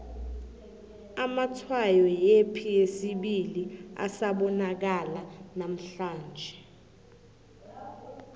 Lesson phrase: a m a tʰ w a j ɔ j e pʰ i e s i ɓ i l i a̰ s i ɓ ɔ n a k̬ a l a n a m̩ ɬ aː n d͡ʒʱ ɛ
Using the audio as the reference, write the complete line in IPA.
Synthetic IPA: a m a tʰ w a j ɔ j e pʰ i e s i ɓ i l i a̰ s a ɓ ɔ n a k̬ a l a n a m̩ ɬ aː n d͡ʒʱ ɛ